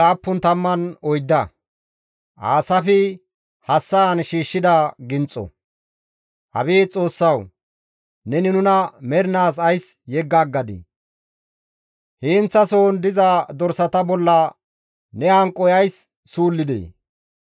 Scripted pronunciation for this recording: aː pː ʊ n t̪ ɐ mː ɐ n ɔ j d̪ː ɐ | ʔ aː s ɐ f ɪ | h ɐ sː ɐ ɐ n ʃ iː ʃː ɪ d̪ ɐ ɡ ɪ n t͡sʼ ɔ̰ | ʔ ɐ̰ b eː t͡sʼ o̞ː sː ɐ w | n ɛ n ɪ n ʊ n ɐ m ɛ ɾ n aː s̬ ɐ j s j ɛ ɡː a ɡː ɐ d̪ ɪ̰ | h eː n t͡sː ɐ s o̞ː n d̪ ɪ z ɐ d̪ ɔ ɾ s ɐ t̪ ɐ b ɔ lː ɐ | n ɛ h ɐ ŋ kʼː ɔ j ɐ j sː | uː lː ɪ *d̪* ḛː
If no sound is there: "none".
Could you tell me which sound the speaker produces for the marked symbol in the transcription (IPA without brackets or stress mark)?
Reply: d̪